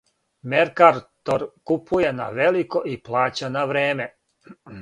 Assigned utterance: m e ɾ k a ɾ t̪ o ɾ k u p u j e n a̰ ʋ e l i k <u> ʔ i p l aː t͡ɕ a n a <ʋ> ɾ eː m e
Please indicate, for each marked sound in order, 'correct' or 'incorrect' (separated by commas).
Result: incorrect, correct